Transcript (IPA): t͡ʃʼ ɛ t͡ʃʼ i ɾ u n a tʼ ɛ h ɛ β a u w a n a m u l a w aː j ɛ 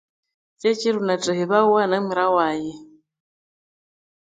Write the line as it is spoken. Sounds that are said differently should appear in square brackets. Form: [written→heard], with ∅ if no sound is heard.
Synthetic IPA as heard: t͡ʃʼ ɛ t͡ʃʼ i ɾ u n a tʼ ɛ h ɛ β a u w a n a m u [l→ɾ] a w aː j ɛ